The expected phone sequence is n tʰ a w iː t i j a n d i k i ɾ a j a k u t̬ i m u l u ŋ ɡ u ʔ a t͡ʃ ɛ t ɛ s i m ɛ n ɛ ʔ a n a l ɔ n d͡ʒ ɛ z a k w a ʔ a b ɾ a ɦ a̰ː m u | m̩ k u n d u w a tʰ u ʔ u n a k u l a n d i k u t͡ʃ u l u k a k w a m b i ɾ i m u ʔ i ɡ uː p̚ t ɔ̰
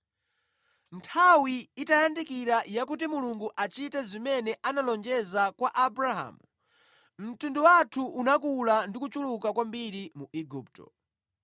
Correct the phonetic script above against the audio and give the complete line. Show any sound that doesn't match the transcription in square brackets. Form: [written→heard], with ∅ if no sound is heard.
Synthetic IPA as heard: n tʰ a w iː t [i→a] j a n d i k i ɾ a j a k u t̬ i m u l u ŋ ɡ u ʔ a t͡ʃ [ɛ→i] t ɛ [s→z] i m ɛ n ɛ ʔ a n a l ɔ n d͡ʒ ɛ z a k w a ʔ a b ɾ a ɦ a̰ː m u | m̩ [k→t] u n d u w a tʰ u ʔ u n a k u l a n d i k u t͡ʃ u l u k a k w a m b i ɾ i m u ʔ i ɡ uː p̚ t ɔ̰